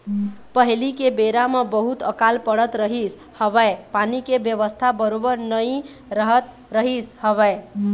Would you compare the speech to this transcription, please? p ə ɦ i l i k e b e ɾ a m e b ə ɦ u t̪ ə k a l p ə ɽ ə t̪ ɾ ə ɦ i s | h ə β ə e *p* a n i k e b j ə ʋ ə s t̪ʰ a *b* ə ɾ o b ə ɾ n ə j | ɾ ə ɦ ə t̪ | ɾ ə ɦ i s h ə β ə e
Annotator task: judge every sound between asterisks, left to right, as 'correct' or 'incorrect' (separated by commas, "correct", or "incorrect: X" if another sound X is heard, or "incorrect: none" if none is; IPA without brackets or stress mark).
correct, correct